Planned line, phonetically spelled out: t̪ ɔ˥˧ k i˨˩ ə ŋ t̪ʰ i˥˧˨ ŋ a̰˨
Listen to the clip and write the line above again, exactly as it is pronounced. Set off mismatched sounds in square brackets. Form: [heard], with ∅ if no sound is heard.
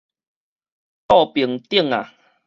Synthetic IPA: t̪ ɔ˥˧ [p] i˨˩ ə ŋ [t̪] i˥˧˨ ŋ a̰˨